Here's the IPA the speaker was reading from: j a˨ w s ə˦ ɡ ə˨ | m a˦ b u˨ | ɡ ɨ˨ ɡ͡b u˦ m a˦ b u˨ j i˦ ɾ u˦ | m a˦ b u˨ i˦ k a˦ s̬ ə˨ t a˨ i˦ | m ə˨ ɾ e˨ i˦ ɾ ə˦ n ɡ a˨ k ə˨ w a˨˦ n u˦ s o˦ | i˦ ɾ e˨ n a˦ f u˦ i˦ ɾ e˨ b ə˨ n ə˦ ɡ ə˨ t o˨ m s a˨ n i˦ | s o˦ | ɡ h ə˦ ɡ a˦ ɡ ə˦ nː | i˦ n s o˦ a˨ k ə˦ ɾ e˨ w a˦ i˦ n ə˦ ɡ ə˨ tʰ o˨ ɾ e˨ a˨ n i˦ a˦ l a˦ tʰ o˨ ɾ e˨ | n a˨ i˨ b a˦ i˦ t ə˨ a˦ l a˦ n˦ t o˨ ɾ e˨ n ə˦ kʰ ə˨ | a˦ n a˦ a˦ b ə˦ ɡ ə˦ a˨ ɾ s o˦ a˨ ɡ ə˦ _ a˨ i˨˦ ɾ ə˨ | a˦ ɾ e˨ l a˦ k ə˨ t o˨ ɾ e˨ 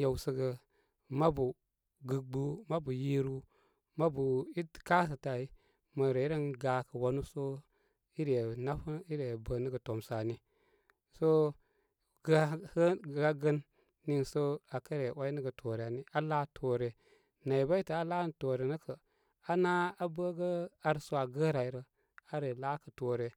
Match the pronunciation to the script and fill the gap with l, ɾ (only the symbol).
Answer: ɾ